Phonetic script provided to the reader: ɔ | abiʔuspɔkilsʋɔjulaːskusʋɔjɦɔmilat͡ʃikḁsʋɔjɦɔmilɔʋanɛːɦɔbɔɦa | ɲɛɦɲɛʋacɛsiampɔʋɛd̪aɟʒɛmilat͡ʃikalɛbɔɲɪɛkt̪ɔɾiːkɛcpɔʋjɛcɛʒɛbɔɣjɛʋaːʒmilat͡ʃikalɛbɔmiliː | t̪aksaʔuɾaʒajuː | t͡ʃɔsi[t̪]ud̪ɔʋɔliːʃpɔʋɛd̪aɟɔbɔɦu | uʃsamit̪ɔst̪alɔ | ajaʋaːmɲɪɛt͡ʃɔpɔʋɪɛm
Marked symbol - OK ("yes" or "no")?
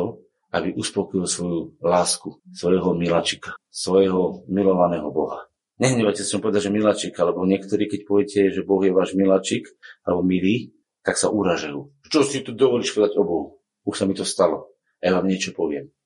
yes